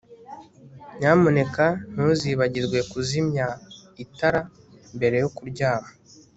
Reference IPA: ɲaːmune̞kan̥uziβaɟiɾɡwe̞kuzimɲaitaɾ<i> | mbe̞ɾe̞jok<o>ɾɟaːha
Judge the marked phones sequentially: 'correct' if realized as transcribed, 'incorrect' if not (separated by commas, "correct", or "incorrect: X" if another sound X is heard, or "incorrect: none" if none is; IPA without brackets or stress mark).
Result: incorrect: a, incorrect: u